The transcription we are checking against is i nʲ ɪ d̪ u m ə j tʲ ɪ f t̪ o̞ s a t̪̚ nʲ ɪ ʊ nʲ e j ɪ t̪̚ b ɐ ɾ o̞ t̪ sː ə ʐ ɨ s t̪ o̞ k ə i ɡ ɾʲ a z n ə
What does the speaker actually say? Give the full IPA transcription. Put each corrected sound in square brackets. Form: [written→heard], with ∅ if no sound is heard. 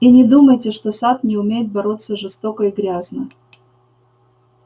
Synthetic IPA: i nʲ ɪ d̪ u m ə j tʲ ɪ [f→ʂ] t̪ o̞ s a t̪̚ nʲ ɪ ʊ [nʲ→mʲ] e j ɪ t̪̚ b ɐ ɾ o̞ t̪ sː ə ʐ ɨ s t̪ o̞ k ə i ɡ ɾʲ a z n ə